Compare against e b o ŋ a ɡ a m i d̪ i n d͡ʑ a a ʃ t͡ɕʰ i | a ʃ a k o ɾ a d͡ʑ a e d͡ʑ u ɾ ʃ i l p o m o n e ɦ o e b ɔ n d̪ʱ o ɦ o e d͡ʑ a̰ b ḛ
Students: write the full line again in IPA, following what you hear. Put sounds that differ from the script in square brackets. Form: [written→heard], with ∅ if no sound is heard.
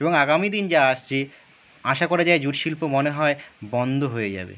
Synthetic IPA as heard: e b o ŋ a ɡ a m i d̪ i n d͡ʑ a a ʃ t͡ɕʰ i | a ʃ a k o ɾ a d͡ʑ a e d͡ʑ u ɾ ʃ i l p o m o n e ɦ [o→ɔ] e b ɔ n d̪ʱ o ɦ o e d͡ʑ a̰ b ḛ